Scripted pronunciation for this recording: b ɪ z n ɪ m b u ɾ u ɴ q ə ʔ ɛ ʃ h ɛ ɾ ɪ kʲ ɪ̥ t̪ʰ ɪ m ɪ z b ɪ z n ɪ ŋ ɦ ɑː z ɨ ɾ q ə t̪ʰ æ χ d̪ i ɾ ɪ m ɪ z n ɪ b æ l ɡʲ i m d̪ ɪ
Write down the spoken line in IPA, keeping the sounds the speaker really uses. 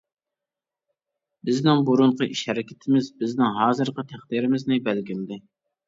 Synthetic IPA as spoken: b ɪ z n ɪ ŋ b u ɾ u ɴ q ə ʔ i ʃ h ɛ ɾ ɪ kʲ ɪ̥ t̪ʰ ɪ m ɪ z b ɪ z n ɪ ŋ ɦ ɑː z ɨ ɾ q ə t̪ʰ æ χ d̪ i ɾ ɪ m ɪ z n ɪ b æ l ɡʲ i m d̪ ɪ